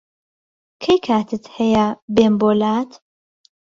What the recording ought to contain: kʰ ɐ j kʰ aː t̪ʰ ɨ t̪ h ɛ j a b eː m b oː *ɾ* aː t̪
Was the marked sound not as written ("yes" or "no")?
yes